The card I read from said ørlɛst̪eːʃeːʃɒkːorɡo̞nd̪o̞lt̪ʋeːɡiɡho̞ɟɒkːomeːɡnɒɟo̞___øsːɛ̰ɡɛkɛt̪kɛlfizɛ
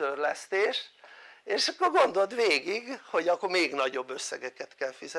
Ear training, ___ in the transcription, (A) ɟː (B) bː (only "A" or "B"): B